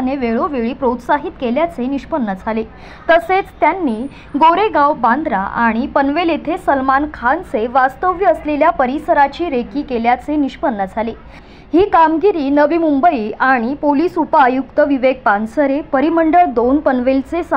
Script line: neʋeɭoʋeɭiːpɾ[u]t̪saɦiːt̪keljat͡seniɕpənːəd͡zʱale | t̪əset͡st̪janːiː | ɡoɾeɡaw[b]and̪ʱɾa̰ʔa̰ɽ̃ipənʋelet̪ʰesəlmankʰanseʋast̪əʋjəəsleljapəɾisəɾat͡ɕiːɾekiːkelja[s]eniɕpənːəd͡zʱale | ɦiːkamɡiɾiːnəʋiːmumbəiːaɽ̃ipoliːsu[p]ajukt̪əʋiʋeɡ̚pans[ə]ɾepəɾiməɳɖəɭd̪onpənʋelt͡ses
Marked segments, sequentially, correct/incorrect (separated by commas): incorrect, correct, incorrect, correct, correct